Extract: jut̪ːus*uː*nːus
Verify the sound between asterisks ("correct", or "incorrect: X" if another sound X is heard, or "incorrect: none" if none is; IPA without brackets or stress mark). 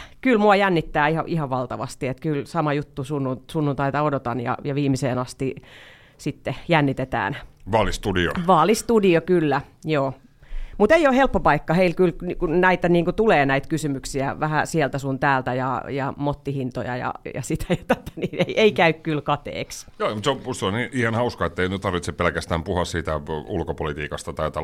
incorrect: u